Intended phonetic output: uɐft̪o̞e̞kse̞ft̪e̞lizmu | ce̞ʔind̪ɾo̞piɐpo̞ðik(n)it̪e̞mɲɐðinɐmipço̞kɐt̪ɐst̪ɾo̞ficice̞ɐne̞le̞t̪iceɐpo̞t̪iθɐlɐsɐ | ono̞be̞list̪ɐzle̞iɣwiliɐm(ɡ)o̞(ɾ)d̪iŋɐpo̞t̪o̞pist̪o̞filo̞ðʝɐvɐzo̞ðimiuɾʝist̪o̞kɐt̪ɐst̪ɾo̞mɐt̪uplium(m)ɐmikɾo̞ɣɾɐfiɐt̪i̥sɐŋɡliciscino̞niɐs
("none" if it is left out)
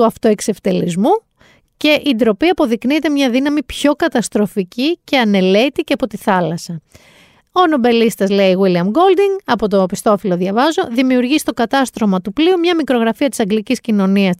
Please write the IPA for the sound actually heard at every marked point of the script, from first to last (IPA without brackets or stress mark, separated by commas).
n, ɡ, l, ɲ